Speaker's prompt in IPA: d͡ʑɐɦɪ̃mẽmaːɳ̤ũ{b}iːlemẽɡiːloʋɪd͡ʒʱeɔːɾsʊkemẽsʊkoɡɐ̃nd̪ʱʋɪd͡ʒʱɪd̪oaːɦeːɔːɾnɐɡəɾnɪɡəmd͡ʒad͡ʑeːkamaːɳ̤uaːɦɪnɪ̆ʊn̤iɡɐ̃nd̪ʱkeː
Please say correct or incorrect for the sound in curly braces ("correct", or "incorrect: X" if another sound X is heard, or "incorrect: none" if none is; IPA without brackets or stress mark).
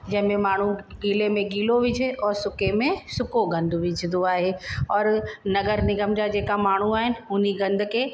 incorrect: ɡ